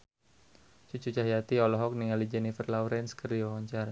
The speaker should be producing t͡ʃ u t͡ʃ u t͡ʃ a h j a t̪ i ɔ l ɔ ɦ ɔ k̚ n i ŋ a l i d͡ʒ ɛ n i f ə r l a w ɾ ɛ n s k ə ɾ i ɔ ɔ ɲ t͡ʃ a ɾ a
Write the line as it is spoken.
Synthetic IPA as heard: t͡ʃ u t͡ʃ u t͡ʃ a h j a t̪ i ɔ l ɔ ɦ ɔ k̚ n i ŋ a l i d͡ʒ ɛ n i f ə r l a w ɾ ɛ n s k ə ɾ i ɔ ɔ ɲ t͡ʃ a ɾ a